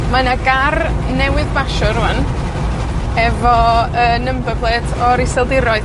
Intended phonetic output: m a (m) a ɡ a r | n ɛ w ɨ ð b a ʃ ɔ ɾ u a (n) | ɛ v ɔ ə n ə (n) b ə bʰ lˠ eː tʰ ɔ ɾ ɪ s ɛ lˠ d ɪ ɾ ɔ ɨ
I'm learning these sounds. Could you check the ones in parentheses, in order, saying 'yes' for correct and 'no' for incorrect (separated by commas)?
no, yes, no